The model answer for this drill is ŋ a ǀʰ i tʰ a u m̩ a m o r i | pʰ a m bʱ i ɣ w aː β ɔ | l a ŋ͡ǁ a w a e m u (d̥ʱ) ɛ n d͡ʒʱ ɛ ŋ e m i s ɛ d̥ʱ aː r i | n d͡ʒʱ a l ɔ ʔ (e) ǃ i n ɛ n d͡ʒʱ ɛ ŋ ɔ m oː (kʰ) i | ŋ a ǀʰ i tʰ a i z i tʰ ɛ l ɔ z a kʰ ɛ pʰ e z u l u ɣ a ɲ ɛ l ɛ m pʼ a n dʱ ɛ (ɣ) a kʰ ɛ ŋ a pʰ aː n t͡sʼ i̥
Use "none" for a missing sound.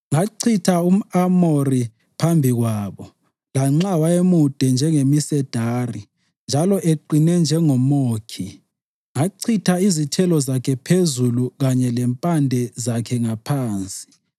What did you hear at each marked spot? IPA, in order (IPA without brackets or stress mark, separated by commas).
d̥ʱ, e, kʰ, z